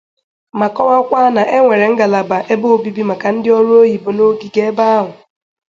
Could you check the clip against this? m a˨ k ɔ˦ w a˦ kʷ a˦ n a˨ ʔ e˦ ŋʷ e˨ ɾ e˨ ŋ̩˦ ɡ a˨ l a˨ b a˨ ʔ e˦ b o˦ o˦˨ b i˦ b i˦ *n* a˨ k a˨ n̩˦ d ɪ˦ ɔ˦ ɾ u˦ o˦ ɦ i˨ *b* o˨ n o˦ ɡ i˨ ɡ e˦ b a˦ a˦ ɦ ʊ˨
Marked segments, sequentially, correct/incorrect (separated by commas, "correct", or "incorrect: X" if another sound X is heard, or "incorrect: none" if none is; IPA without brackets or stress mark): incorrect: m, correct